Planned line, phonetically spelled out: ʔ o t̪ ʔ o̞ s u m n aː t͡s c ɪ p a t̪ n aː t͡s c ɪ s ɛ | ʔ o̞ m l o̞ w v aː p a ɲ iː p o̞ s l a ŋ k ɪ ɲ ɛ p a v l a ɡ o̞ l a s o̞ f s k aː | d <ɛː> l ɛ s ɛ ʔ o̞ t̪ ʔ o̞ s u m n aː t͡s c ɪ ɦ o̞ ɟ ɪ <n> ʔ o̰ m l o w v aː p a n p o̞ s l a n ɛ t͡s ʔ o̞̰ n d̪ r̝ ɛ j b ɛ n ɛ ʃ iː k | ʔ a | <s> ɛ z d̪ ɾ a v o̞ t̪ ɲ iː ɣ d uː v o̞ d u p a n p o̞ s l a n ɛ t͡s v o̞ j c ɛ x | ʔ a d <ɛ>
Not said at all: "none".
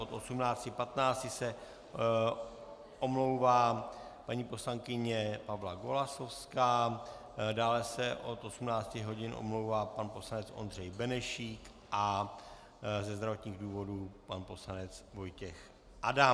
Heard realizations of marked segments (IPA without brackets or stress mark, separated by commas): aː, n, z, a